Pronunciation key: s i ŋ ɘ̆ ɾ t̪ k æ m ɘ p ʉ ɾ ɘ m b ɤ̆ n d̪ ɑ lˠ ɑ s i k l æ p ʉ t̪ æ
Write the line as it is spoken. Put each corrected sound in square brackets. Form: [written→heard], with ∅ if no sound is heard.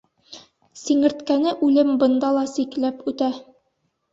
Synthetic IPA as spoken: s i ŋ ɘ̆ ɾ t̪ k æ [m→n] ɘ [p→ʔ] ʉ [ɾ→l] ɘ m b ɤ̆ n d̪ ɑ lˠ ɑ s i k l æ p ʉ t̪ æ